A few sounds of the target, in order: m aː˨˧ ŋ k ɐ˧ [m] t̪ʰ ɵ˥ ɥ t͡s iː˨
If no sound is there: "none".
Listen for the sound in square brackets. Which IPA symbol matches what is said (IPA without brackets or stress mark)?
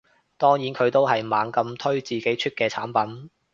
m